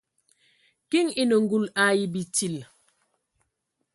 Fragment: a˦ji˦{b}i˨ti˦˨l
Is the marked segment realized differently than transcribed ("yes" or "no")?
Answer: no